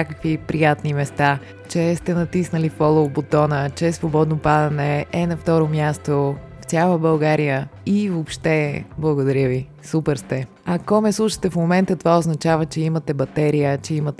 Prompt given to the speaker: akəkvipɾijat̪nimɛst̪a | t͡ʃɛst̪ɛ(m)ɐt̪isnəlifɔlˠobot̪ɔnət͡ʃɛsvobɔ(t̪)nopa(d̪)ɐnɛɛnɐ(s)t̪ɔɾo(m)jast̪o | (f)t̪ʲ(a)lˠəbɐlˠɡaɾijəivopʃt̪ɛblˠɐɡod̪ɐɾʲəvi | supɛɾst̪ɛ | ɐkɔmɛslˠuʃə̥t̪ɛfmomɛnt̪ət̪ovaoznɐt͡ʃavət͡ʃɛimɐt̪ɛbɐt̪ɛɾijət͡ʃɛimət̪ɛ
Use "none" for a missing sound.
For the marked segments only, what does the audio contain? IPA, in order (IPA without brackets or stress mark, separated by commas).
n, d̪, d̪, f, m, f, a